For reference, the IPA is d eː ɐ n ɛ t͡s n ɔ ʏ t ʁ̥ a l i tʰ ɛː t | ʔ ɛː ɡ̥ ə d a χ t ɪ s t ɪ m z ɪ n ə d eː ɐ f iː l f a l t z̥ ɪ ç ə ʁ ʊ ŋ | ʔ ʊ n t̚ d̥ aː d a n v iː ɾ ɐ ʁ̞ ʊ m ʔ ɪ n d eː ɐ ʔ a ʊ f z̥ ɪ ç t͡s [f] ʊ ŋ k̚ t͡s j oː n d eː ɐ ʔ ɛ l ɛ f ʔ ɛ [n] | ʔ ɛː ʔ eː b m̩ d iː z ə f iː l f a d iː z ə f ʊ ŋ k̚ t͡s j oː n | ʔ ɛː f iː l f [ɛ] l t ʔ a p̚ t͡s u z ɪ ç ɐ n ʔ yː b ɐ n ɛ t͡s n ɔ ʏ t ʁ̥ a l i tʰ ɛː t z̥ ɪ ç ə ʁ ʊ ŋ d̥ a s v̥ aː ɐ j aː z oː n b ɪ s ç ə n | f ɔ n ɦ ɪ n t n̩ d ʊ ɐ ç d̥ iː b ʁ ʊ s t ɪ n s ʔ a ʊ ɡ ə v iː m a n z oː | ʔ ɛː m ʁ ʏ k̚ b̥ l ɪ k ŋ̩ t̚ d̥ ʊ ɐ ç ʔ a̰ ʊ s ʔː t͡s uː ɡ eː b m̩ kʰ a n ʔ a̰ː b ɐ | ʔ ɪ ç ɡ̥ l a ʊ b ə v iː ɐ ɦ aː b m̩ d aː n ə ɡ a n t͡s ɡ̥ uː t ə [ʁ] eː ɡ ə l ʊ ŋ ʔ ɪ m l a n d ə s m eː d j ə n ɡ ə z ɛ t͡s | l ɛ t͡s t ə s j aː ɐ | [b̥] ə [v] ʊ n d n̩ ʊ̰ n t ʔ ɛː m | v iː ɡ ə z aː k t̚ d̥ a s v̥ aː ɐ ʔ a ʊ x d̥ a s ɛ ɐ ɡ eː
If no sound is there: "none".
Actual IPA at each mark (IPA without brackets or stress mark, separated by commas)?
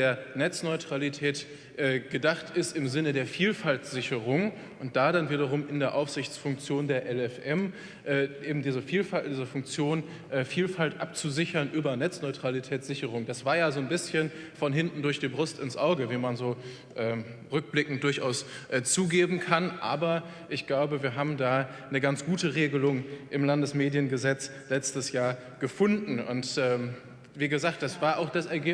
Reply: f, m, a, ʁ, ɡ̥, f